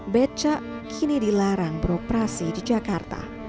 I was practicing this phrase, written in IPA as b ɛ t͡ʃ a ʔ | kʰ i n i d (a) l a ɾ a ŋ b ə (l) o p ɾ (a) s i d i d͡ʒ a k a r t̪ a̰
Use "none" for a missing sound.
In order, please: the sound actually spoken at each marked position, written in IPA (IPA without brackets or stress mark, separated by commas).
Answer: i, ɾ, a